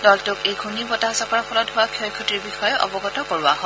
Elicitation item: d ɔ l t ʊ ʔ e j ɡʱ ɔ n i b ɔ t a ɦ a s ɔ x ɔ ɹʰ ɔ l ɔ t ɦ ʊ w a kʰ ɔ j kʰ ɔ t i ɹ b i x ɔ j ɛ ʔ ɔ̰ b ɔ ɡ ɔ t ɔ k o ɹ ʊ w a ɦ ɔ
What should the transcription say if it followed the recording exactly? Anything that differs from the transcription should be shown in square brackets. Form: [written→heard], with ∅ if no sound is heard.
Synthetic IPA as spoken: d ɔ l t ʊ [ʔ→k] e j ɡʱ [ɔ→u] n i b ɔ t a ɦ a s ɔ [x→k] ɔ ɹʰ ɔ l ɔ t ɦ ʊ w a kʰ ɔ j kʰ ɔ t i ɹ b i x ɔ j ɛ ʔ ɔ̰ b ɔ ɡ ɔ t ɔ k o ɹ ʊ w a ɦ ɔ